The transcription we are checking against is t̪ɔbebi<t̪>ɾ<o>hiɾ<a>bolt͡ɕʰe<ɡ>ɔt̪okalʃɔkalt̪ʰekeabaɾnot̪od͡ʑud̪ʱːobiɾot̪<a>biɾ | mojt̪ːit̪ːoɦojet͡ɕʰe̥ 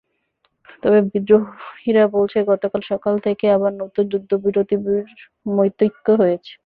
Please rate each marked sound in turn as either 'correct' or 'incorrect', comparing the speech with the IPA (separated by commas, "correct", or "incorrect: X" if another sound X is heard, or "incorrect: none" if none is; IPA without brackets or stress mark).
incorrect: d̪, correct, correct, correct, incorrect: i